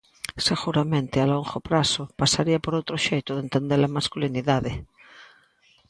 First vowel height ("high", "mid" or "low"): mid